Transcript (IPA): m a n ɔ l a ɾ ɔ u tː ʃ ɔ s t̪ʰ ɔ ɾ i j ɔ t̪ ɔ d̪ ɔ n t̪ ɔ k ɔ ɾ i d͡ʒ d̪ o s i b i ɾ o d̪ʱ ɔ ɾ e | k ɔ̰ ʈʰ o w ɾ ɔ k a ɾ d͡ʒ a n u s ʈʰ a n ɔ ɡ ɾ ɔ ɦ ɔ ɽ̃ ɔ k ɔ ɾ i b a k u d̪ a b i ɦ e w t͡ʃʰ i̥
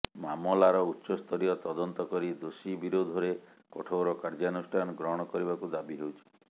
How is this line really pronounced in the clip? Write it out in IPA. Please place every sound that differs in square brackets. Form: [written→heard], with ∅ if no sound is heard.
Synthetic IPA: m a [n→m] ɔ l a ɾ ɔ u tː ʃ ɔ s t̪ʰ ɔ ɾ i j ɔ t̪ ɔ d̪ ɔ n t̪ ɔ k ɔ ɾ i [d͡ʒ→∅] d̪ o s i b i ɾ o d̪ʱ ɔ ɾ e | k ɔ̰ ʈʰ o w ɾ ɔ k a ɾ d͡ʒ a n u s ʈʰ a n ɔ ɡ ɾ ɔ ɦ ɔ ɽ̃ ɔ k ɔ ɾ i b a k u d̪ a b i ɦ e w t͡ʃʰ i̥